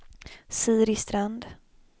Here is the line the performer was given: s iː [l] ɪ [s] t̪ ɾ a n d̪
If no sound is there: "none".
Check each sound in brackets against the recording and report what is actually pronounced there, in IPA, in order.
ɾ, s

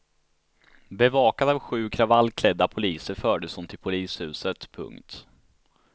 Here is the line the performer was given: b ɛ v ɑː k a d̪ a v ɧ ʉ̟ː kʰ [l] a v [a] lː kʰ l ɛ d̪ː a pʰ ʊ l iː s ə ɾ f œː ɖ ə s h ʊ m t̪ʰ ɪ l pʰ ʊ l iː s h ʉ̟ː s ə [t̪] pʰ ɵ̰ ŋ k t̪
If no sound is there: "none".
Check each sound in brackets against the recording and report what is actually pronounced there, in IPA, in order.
ɾ, a, t̪

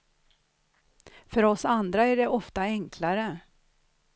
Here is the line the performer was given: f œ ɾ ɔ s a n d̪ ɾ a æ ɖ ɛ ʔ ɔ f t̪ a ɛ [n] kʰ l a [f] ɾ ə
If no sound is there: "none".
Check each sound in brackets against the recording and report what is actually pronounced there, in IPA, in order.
ŋ, none

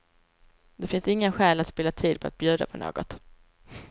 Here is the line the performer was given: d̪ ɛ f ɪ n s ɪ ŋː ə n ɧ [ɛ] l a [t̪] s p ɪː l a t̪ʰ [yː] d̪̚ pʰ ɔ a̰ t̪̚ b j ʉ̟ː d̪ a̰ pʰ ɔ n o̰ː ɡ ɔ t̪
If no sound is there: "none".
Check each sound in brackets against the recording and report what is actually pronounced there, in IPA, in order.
ɛː, t̪, iː

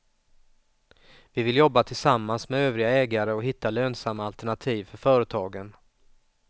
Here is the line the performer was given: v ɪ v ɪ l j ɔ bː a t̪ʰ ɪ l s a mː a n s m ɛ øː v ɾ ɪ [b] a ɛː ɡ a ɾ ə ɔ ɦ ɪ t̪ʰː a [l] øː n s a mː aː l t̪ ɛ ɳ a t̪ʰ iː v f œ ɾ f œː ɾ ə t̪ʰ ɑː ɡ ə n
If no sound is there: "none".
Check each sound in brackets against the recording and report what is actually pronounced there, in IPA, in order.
ɡ, l

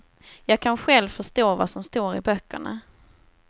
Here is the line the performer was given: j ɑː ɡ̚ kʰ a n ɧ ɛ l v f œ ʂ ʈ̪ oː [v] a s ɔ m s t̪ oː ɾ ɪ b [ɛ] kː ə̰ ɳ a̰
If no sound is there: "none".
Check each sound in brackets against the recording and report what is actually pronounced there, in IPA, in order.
v, œ

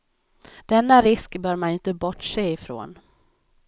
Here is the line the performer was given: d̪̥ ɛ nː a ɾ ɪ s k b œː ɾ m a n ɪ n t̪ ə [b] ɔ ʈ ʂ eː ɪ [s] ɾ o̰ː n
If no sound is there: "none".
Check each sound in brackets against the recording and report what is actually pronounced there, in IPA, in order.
b, f

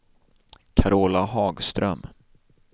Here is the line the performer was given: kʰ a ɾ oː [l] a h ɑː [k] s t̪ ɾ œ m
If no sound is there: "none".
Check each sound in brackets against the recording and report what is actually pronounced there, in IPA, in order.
l, ɡ

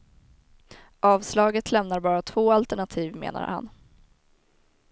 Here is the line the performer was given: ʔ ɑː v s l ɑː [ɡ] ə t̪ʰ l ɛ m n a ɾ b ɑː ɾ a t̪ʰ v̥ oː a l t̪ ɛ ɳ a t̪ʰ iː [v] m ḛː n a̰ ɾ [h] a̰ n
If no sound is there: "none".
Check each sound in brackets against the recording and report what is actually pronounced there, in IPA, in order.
ɡ, v, h

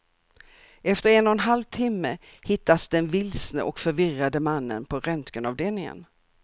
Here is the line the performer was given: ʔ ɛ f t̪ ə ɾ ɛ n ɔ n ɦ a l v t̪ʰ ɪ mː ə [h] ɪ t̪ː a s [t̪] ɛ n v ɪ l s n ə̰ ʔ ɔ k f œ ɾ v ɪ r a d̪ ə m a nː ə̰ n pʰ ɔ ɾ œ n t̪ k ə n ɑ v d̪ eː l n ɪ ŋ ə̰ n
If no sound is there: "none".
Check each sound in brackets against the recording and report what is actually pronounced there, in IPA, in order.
h, d̪

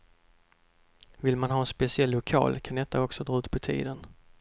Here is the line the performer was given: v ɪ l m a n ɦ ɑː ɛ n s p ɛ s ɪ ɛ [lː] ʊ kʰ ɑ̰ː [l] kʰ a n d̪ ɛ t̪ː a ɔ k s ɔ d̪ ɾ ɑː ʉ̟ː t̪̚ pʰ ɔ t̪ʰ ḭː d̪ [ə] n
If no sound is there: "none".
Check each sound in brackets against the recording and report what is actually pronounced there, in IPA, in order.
lː, l, ə

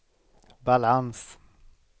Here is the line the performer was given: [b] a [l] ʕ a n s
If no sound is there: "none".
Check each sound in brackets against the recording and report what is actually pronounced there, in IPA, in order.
b, l

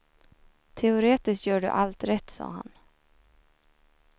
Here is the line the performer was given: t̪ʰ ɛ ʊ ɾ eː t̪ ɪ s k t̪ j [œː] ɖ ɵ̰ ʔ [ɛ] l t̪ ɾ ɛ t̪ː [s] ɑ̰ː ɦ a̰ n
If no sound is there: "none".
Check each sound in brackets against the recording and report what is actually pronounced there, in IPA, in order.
œː, a, s

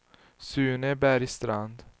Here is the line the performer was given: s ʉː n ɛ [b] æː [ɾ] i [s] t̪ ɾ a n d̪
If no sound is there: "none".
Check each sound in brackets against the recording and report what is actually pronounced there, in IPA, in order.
b, ɾ, s

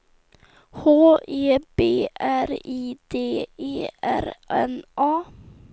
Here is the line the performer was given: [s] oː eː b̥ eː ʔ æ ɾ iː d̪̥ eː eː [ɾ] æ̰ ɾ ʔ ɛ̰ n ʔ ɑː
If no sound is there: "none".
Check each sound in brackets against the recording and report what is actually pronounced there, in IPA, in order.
h, none

